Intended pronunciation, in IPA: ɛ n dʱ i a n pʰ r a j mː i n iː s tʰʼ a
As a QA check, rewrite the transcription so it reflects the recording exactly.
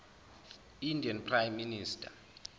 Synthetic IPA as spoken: i n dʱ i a n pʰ r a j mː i n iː s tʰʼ a